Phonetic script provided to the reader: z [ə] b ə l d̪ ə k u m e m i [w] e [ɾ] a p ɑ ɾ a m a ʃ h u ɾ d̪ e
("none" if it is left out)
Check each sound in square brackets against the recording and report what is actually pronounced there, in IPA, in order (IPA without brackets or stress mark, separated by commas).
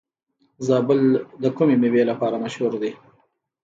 ɑ, w, l